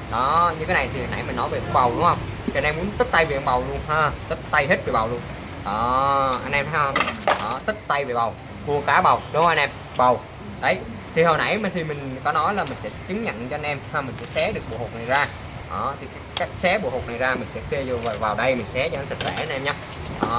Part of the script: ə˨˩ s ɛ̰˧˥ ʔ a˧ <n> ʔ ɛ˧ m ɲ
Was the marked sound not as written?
no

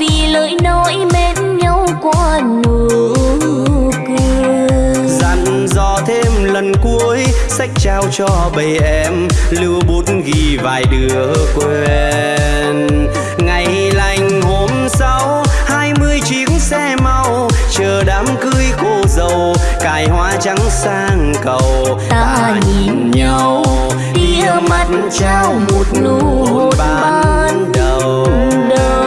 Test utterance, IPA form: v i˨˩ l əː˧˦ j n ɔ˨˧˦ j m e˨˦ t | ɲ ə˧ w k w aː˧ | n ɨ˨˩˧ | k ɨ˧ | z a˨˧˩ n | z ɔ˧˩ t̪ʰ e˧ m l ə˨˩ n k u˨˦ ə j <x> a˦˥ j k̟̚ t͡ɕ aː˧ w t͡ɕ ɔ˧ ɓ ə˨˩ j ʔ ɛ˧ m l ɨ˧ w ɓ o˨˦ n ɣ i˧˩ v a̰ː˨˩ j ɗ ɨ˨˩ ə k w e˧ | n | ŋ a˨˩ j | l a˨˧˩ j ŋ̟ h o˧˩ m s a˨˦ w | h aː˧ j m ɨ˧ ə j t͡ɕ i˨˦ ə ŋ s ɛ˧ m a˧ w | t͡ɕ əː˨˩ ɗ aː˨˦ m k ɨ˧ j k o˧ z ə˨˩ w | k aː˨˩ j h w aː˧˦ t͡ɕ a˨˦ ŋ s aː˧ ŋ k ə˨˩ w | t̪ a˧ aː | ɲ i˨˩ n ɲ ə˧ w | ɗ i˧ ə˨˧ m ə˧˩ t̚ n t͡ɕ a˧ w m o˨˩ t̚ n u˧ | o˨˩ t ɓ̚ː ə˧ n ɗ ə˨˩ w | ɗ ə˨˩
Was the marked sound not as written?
yes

